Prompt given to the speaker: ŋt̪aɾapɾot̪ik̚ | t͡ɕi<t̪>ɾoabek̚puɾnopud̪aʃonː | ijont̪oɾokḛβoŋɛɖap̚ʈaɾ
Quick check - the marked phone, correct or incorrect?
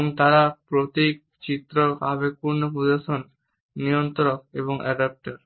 correct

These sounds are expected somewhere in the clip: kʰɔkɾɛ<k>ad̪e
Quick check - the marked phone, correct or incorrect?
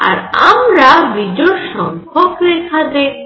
incorrect: kʰ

